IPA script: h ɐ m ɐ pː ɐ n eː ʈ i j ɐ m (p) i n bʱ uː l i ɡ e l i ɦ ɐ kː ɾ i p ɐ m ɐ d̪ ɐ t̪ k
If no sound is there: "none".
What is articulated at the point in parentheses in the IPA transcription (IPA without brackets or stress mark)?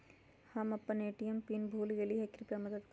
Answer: p